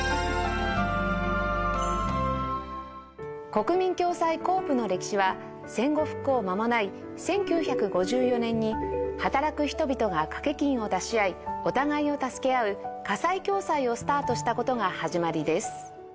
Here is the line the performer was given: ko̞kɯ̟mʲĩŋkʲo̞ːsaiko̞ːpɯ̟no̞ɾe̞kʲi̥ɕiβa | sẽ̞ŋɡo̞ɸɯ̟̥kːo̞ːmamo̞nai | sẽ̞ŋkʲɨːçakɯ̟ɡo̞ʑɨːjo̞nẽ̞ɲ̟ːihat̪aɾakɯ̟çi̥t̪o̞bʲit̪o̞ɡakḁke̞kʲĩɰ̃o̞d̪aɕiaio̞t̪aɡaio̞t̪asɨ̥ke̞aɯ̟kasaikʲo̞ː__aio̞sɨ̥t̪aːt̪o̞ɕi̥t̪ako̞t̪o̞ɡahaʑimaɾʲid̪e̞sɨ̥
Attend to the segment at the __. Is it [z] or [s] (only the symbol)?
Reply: s